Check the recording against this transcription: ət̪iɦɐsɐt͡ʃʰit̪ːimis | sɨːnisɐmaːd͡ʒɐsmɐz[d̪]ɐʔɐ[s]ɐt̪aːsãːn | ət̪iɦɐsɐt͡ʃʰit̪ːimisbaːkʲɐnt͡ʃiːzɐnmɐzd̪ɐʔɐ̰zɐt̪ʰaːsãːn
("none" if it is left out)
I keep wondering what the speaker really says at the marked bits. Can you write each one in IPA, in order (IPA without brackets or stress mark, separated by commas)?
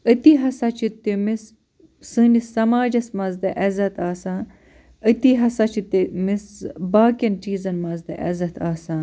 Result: d̪, z